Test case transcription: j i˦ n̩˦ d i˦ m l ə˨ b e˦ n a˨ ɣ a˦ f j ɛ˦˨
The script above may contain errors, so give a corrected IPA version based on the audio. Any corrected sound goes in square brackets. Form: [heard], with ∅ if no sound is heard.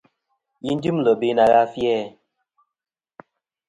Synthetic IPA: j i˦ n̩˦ d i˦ m l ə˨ b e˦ n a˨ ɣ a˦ f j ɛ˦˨